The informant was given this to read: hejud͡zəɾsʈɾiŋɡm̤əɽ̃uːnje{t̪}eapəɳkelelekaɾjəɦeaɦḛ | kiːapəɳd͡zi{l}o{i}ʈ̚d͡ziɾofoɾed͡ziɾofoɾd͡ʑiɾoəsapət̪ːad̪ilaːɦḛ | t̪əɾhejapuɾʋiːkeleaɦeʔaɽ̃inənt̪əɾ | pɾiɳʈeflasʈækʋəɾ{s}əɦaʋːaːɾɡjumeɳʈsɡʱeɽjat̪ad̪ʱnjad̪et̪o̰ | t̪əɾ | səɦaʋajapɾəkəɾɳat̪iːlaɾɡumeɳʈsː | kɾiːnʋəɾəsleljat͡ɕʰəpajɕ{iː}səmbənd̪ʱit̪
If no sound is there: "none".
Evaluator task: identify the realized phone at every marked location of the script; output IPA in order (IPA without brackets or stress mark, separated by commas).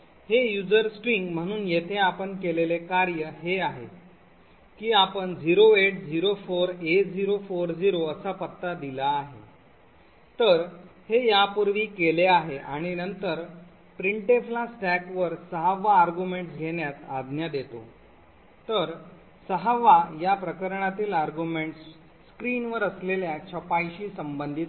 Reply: t̪ʰ, ɾ, e, s, iː